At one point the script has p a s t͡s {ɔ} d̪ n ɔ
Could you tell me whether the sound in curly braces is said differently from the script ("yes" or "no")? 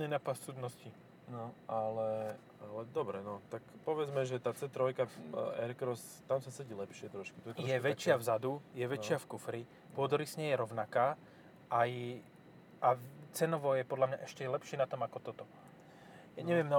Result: yes